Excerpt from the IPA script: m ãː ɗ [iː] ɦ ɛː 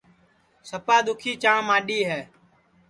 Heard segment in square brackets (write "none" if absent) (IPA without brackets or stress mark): iː